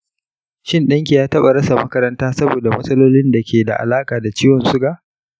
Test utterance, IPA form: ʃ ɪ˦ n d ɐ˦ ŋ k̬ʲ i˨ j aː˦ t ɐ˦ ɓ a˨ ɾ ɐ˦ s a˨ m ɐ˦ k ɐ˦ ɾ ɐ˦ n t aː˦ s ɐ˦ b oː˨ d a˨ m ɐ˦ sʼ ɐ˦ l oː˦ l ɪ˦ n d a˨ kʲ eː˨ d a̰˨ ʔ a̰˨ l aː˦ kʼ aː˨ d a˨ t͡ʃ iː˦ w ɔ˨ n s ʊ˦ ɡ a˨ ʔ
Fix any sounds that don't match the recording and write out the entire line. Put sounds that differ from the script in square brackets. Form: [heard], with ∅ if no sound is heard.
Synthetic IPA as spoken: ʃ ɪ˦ n [ɗ] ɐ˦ ŋ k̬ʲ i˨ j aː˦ t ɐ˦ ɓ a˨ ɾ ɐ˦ s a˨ m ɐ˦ k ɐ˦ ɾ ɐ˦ n t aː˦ s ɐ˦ b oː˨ d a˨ m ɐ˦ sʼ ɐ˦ l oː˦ l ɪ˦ n d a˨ kʲ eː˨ d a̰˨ ʔ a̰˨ l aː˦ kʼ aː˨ d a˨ t͡ʃ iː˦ w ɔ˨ n s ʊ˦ ɡ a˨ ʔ